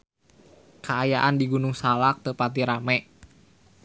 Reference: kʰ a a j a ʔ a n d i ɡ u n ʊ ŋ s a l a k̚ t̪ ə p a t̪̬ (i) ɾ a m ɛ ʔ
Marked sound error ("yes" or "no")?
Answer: no